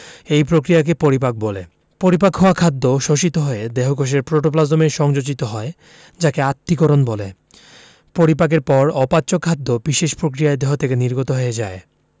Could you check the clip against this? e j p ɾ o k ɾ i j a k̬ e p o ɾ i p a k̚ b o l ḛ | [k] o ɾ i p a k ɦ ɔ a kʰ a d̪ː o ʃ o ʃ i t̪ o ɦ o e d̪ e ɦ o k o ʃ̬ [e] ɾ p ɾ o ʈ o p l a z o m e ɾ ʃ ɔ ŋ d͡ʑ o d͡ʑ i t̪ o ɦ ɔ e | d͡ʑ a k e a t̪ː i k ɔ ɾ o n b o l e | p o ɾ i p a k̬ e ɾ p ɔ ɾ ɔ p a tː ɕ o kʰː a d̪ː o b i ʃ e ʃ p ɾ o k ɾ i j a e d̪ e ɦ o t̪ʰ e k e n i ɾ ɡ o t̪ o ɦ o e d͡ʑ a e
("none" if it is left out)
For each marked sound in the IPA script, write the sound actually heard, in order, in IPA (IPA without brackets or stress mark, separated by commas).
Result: p, e